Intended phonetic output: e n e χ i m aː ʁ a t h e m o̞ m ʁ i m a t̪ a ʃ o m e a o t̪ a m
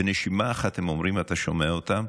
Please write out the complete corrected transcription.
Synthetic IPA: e n e ʃ i m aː χ a t h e m o̞ m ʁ i m a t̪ a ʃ o m e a o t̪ a m

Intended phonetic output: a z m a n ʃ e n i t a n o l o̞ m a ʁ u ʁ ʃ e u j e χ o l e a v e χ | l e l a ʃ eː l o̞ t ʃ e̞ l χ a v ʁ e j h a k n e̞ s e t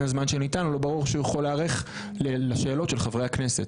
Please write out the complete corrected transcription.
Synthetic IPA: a z m a n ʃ e n i t a n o l o̞ b a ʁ u ʁ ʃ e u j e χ o l e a ʁ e χ | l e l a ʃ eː l o̞ t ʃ e̞ l χ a v ʁ e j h a k n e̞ s e t

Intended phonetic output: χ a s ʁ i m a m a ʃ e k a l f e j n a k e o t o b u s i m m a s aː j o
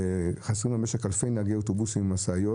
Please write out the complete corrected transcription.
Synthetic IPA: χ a s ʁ i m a m e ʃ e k a l f e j n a ɡ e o t o b u s i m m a s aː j o

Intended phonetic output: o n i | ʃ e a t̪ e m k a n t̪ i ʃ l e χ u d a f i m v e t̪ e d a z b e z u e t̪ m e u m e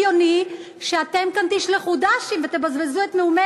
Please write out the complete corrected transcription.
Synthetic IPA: o n i | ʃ e a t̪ e m k a n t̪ i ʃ l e χ u d a ʃ i m v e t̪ e b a z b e z u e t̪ m e u m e

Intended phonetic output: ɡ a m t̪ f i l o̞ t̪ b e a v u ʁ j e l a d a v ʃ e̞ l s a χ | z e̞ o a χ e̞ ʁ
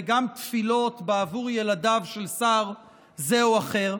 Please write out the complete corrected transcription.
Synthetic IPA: ɡ a m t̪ f i l o̞ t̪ b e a v u ʁ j e l a d a v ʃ e̞ l s a ʁ | z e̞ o a χ e̞ ʁ

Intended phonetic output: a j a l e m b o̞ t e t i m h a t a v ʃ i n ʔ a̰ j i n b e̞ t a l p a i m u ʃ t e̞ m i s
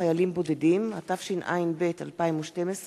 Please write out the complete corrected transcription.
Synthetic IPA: a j a l i m b o̞ d e d i m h a t a f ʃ i n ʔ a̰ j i n b e̞ t a l p a i m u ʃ t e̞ m e s

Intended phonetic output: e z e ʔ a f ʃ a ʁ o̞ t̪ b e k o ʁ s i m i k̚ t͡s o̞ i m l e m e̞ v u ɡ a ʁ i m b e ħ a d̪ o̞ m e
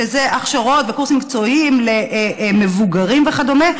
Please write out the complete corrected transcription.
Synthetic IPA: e z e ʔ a χ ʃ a ʁ o̞ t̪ v e k u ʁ s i m i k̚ t͡s o̞ i m l e m e̞ v u ɡ a ʁ i m v e χ a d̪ o̞ m e

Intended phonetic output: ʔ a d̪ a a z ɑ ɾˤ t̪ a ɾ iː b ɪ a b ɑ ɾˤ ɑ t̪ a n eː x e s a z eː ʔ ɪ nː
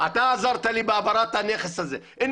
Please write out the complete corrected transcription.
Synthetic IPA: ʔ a t̪ a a z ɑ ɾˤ t̪ a l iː b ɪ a b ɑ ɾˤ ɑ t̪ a n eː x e s a z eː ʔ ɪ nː

